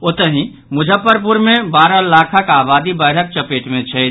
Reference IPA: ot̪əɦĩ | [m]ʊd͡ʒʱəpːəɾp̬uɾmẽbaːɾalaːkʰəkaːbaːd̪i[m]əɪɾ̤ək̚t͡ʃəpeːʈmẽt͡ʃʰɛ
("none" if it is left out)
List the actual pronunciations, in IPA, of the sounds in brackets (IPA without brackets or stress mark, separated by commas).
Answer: m, b